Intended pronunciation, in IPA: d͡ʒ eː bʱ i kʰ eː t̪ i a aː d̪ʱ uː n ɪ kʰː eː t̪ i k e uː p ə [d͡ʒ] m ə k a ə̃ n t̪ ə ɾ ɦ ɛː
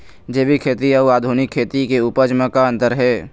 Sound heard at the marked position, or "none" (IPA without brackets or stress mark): d͡ʒ